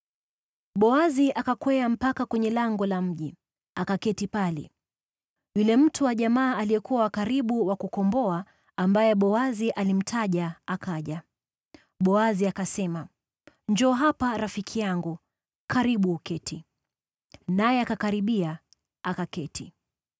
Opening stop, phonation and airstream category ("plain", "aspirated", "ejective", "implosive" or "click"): implosive